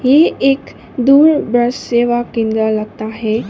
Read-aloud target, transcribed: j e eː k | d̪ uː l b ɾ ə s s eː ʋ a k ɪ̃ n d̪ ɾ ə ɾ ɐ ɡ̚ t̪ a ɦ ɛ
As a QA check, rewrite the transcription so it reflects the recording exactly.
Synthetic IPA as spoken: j e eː k | d̪ uː ɾ b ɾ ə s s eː ʋ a k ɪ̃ n d̪ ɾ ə l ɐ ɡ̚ t̪ a ɦ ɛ